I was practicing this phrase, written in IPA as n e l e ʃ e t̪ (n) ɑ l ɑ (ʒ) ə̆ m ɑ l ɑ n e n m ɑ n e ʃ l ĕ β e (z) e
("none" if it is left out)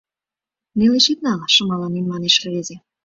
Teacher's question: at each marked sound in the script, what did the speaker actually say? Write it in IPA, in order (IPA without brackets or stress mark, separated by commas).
n, ʃ, z